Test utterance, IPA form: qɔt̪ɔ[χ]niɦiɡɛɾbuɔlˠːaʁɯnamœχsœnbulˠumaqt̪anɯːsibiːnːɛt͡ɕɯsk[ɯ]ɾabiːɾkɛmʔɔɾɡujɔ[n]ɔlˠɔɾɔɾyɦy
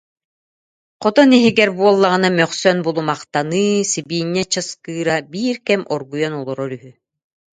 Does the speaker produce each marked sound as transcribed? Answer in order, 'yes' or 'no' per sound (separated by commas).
no, no, yes